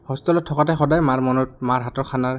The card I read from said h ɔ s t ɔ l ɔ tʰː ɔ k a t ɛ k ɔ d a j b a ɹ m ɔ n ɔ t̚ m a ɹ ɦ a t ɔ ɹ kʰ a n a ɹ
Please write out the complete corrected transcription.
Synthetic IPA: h ɔ s t ɔ l ɔ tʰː ɔ k a t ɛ x ɔ d a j m a ɹ m ɔ n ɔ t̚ m a ɹ ɦ a t ɔ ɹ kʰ a n a ɹ